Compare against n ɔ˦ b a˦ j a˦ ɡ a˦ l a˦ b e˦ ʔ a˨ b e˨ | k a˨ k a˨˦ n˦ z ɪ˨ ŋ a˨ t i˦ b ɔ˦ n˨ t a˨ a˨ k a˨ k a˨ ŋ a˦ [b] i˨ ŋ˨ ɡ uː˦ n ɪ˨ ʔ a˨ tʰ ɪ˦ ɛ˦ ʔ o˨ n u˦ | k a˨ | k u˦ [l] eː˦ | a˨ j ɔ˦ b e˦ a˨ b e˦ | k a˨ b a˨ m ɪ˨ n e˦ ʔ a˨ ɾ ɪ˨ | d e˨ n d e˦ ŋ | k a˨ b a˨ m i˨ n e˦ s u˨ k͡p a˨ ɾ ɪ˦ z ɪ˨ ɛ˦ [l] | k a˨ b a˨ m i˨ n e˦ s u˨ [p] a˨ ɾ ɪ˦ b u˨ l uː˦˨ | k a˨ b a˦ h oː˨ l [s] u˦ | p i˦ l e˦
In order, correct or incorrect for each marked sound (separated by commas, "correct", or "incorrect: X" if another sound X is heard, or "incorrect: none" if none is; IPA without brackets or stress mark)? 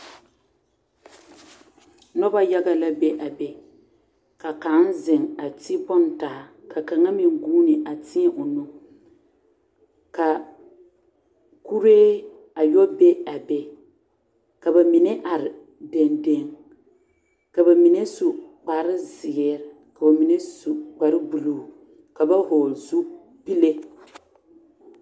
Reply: incorrect: m, incorrect: ɾ, incorrect: ɾ, incorrect: k͡p, incorrect: z